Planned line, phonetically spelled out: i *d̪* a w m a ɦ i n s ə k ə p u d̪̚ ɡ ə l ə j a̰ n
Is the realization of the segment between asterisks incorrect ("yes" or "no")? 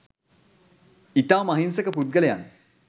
yes